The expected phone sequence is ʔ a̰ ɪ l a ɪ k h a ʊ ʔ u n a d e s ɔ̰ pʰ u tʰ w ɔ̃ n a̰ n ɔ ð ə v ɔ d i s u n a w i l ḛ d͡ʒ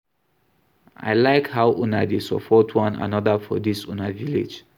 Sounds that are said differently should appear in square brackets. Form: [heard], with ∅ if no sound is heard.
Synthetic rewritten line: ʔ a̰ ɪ l a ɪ k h a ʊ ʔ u n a d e s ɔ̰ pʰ [ɔ] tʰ w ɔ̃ n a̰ n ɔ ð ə [f] ɔ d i s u n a [v] i l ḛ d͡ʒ